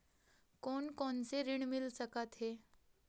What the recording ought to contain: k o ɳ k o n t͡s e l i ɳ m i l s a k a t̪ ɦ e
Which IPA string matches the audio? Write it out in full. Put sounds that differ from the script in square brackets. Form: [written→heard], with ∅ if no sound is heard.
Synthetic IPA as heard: k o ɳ k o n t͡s e [l→ɾ] i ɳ m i l s [a→ə] k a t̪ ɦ e